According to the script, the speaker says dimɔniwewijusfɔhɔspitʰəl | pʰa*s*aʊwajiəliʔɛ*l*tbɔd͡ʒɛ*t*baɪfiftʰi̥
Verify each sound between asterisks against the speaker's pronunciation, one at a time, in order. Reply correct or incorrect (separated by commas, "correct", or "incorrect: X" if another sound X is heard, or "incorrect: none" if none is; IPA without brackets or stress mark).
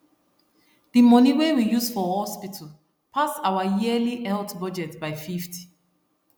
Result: correct, correct, correct